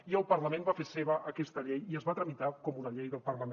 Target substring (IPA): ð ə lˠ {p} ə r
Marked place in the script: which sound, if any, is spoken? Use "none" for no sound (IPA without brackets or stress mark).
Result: p